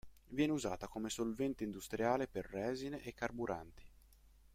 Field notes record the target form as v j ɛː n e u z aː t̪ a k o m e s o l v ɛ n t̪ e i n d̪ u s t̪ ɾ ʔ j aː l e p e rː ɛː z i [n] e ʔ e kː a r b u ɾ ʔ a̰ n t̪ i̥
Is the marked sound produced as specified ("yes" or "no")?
yes